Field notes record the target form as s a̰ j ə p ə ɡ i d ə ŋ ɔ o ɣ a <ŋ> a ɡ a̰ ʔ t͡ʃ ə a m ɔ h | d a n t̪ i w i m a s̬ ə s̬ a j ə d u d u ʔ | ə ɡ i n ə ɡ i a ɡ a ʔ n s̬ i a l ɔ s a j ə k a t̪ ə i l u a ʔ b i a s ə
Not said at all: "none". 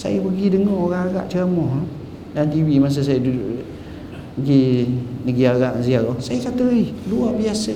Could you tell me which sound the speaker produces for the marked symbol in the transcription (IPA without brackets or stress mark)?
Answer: ŋ